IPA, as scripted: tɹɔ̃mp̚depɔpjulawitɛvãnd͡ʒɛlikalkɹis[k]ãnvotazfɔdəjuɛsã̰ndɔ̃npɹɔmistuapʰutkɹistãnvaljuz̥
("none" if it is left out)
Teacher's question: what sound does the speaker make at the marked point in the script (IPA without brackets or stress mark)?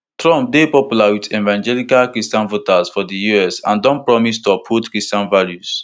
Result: t